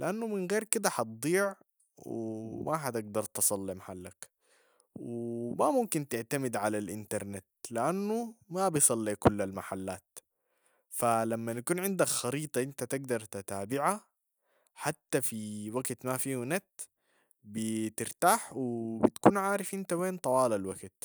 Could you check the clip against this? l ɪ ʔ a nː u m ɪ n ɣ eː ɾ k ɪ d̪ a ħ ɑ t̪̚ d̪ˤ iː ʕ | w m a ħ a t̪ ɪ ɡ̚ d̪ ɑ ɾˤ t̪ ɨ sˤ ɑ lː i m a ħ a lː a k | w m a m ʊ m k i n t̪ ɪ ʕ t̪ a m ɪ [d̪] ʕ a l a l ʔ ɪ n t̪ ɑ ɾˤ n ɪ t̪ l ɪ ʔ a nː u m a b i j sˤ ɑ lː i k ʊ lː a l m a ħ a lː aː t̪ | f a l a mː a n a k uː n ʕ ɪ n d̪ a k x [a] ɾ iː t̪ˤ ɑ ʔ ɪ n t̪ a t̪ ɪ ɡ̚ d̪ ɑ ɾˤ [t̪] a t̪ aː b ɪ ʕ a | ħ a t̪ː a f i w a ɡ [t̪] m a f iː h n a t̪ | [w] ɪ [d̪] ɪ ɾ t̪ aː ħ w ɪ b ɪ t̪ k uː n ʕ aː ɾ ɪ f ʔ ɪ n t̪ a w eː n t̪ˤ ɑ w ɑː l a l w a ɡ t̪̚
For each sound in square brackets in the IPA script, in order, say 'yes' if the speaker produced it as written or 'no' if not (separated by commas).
yes, no, yes, yes, no, no